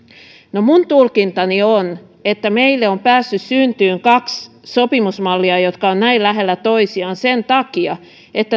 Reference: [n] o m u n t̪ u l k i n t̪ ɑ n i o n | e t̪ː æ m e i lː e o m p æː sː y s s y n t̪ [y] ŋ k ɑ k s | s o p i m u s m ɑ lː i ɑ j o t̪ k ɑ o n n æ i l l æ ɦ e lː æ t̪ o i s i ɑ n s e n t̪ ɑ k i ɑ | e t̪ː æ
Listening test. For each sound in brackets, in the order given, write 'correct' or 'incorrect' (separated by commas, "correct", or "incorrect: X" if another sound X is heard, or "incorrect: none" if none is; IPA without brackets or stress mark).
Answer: correct, incorrect: yː